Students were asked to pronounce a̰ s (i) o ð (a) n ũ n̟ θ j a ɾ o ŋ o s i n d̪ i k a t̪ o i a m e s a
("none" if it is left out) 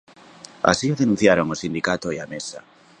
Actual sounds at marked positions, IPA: i, e

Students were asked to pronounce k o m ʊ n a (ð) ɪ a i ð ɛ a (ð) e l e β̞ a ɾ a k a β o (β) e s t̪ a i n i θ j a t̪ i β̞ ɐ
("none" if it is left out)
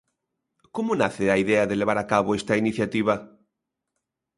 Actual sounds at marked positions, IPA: θ, ð, none

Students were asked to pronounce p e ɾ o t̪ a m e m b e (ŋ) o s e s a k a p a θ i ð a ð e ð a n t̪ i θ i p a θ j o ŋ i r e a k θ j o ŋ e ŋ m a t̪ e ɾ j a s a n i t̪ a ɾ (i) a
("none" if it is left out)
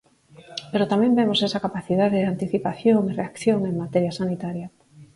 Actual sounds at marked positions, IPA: m, j

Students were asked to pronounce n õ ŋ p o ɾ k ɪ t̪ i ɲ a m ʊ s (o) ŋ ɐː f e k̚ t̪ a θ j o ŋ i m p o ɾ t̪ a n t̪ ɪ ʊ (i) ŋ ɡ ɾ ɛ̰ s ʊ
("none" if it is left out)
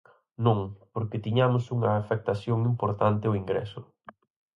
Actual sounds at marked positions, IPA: u, i

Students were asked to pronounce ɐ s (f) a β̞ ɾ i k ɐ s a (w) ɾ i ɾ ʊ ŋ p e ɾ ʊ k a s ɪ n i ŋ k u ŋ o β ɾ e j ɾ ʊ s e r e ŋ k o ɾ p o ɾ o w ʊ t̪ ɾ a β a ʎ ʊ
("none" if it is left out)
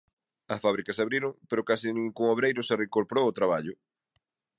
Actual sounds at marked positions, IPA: f, β

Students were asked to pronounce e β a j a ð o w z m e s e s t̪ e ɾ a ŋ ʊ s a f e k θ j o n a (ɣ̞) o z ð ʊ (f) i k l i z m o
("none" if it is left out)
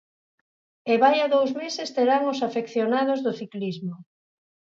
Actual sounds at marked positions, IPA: ð̞, θ

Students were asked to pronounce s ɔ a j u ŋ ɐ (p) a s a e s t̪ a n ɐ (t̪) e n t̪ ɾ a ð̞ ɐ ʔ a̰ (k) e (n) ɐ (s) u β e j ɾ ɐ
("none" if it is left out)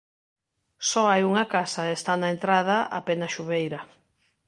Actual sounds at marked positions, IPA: k, none, p, n, ʃ

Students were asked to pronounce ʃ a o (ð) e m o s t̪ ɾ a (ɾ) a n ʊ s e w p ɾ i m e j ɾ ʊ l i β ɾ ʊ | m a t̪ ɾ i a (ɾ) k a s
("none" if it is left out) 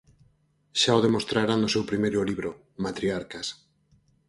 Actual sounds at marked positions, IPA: ð, ɾ, ɾ

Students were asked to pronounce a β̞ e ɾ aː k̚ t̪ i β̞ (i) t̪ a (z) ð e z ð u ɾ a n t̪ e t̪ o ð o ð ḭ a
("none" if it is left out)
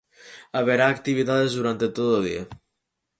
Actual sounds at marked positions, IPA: i, none

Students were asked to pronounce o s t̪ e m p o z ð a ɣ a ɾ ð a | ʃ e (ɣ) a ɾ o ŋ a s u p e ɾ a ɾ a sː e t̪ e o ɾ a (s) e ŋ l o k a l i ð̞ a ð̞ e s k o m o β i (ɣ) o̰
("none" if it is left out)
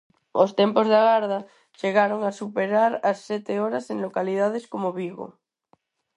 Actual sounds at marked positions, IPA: ɣ, s, ɣ

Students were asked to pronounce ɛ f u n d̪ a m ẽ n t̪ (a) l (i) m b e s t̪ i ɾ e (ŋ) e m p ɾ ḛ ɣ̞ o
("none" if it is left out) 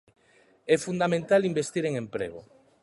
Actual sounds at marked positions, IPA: a, i, ŋ

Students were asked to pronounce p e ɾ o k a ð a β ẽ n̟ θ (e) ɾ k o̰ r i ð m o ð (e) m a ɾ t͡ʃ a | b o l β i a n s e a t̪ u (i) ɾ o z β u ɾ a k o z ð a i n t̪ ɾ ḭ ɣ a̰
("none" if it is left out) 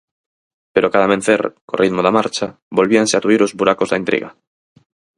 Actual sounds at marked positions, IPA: e, a, i

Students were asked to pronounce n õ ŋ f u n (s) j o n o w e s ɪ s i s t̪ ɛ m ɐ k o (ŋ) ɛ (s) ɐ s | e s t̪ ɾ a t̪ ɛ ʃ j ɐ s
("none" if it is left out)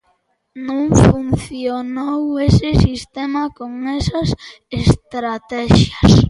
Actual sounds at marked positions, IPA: θ, ŋ, s

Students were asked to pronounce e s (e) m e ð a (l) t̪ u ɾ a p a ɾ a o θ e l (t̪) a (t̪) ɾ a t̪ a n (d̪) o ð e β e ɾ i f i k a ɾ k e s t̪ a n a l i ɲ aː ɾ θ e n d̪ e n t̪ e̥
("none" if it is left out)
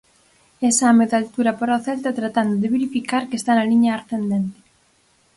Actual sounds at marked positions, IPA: a, l, t̪, t̪, d̪

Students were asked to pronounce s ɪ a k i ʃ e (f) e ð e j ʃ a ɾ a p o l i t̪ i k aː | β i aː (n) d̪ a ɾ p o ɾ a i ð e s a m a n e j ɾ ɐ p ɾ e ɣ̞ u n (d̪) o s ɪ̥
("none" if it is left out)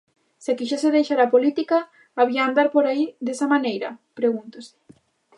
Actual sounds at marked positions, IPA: s, n, t̪

